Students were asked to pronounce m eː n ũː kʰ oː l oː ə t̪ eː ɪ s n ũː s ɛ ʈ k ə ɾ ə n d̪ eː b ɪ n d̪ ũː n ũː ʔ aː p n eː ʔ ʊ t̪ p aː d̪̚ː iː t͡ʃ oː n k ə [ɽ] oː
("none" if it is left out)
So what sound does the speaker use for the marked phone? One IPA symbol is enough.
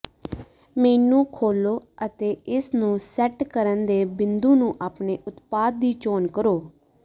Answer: ɾ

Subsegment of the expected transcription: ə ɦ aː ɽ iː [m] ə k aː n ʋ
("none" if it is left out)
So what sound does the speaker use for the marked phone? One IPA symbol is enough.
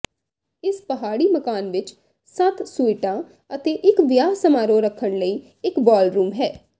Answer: m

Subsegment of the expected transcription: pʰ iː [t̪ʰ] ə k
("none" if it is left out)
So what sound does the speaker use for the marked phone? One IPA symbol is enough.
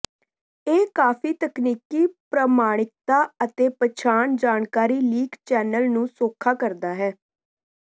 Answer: t̪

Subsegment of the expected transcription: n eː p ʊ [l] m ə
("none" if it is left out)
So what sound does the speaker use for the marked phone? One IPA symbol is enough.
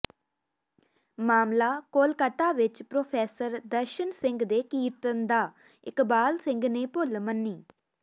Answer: l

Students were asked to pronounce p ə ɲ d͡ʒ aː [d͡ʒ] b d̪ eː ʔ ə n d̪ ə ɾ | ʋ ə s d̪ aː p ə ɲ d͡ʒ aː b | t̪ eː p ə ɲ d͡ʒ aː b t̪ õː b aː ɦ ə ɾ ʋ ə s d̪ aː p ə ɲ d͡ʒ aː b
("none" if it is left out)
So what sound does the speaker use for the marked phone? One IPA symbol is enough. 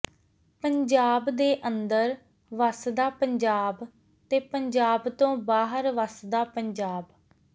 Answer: none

